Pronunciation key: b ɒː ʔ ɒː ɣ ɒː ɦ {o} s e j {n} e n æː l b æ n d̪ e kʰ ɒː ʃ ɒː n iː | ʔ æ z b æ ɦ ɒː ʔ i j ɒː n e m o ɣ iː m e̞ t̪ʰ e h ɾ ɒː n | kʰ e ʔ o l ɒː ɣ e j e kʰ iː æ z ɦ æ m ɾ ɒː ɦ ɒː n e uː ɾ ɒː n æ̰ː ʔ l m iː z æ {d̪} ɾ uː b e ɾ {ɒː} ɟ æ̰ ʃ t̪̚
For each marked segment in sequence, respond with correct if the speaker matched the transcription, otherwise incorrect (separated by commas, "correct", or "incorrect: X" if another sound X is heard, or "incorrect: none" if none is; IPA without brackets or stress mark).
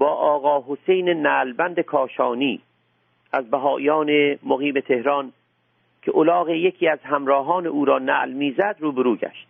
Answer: correct, correct, correct, incorrect: uː